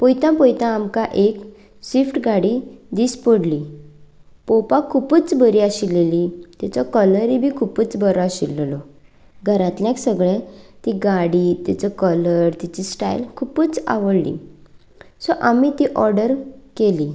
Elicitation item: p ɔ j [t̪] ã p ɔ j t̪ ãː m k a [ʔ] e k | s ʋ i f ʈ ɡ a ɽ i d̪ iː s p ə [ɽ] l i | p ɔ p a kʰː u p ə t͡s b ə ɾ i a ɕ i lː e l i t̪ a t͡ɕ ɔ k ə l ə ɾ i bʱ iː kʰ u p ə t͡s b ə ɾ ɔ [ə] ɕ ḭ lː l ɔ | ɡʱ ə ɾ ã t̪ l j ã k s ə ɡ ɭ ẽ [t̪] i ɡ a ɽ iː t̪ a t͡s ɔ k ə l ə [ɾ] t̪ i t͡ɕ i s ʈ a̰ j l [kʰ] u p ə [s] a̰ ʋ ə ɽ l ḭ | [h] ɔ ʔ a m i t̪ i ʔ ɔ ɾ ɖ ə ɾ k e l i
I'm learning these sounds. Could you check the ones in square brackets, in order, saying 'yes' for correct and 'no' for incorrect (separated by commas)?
yes, yes, yes, no, yes, yes, yes, no, no